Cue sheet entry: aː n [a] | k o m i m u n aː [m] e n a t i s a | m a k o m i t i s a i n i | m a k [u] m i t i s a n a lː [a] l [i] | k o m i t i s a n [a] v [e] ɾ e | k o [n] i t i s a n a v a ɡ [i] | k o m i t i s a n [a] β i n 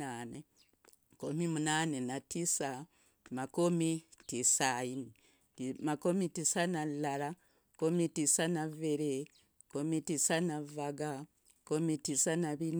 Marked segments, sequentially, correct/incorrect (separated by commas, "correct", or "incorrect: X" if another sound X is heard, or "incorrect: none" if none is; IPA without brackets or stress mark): incorrect: e, incorrect: n, incorrect: o, correct, incorrect: a, correct, correct, incorrect: m, incorrect: a, correct